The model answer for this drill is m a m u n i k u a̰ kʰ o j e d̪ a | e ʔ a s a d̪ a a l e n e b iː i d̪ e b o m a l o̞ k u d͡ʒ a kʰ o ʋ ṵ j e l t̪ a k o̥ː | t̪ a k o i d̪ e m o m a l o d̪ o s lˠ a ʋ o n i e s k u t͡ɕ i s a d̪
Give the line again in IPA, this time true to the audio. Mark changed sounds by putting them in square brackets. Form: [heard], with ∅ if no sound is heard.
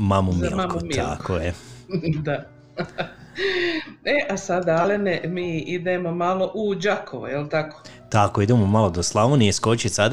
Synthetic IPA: m a m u [m] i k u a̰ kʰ o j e d̪ a | e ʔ a s a d̪ a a l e n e [m] iː i d̪ e [m] o m a l o̞ [ʔ] u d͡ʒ a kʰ o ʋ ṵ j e l t̪ a k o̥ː | t̪ a k o i d̪ e m o m a l o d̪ o s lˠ a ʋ o n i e s k [o] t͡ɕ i s a d̪